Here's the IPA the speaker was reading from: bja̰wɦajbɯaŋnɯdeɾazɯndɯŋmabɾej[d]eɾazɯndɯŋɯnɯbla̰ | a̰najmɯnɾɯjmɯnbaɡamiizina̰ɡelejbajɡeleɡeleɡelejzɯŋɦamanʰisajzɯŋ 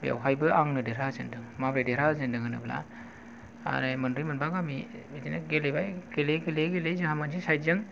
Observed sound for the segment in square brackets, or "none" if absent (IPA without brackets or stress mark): d